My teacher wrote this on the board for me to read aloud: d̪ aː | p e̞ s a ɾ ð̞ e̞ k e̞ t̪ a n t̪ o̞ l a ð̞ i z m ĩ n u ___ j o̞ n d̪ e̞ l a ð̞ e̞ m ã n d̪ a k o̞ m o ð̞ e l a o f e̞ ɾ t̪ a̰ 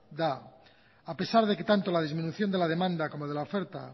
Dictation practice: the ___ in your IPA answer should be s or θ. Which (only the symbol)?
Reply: θ